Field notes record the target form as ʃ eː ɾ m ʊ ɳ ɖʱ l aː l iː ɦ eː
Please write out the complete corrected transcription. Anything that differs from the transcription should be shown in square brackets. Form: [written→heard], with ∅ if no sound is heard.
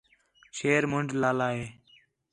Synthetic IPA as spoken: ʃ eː ɾ m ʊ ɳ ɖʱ l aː l [iː→aː] ɦ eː